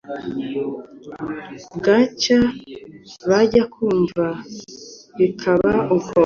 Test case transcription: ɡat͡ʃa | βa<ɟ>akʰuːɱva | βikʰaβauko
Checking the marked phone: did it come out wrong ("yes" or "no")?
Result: no